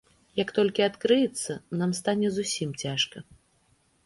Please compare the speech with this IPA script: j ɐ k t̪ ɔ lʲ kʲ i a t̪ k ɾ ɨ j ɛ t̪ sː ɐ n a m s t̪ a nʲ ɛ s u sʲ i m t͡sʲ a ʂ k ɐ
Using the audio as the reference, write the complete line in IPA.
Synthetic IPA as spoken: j ɐ k t̪ ɔ lʲ kʲ i a t̪ k ɾ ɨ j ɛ t̪ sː ɐ n a m s t̪ a nʲ ɛ z u sʲ i m t͡sʲ a ʂ k ɐ